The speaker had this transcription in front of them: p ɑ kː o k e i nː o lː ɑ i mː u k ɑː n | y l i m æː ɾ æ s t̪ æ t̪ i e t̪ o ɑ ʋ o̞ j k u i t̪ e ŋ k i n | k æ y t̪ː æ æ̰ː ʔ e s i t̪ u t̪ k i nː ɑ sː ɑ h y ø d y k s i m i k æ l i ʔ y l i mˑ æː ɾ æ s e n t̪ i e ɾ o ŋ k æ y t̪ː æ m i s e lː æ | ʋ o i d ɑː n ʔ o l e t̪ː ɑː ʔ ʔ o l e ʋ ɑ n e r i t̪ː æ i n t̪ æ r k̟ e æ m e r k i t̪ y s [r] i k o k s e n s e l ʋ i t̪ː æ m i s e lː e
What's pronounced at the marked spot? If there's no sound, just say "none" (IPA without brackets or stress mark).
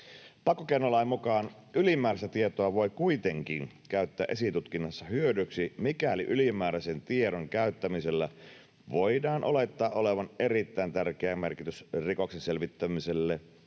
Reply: r